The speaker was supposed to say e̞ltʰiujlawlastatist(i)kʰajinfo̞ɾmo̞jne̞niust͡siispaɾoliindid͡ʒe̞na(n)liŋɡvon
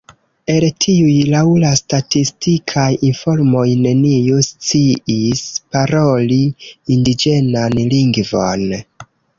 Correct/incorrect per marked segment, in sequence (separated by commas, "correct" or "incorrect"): correct, correct